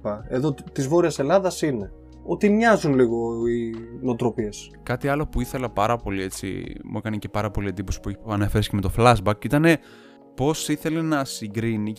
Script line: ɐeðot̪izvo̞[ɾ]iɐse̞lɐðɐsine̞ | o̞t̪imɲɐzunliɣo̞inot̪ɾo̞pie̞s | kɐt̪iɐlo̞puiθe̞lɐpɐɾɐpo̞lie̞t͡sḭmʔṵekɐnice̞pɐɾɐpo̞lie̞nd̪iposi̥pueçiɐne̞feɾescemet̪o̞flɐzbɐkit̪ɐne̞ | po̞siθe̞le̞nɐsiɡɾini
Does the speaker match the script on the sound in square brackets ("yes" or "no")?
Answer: yes